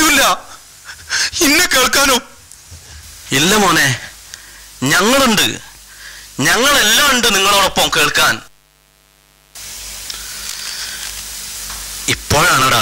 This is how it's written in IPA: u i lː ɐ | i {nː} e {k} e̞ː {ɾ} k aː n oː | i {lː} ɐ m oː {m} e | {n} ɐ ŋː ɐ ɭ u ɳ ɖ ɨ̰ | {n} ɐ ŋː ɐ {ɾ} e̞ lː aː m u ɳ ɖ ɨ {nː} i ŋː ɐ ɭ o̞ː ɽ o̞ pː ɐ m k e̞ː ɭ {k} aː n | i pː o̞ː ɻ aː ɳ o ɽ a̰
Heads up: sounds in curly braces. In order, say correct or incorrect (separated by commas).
correct, correct, incorrect, correct, incorrect, incorrect, incorrect, incorrect, incorrect, correct